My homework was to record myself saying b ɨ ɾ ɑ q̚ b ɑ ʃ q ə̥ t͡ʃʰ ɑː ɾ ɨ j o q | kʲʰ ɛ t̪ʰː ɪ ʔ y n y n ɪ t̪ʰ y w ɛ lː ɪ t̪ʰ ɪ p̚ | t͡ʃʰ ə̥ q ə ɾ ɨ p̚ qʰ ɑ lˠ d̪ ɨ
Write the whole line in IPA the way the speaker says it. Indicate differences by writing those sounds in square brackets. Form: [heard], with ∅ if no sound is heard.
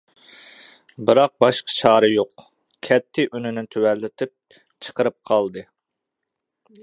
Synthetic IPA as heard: b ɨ ɾ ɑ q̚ b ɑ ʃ q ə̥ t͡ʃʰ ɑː ɾ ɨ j o q | kʲʰ ɛ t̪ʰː ɪ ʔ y n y n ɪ t̪ʰ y w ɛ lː ɪ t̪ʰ ɪ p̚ | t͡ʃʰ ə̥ q ə ɾ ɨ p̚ qʰ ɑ lˠ d̪ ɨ